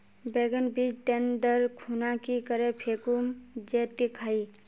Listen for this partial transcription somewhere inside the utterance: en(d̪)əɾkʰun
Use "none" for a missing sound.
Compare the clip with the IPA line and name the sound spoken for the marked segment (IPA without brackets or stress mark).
d̪